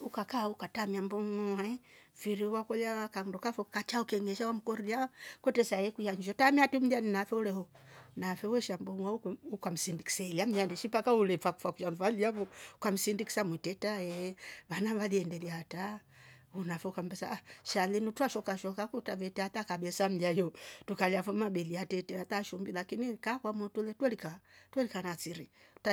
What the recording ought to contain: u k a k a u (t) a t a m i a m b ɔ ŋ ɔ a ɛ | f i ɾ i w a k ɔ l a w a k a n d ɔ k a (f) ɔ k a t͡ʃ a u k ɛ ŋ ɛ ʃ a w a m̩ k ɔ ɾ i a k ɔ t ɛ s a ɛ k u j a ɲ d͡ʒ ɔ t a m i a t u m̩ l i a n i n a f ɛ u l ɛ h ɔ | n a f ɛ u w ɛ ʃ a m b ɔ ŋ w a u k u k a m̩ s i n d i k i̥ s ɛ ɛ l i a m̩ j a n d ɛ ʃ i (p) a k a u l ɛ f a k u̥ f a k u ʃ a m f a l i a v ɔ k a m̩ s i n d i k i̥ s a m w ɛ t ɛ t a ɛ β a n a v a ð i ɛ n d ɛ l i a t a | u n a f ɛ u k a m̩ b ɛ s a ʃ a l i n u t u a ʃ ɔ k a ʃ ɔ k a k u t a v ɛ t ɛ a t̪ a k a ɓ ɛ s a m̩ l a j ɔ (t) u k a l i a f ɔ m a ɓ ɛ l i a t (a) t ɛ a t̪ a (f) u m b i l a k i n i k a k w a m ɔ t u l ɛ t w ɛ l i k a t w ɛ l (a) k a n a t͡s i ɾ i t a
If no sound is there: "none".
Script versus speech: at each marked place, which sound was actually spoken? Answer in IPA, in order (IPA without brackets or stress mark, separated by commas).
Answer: k, f, p, t, ɛ, ʃ, i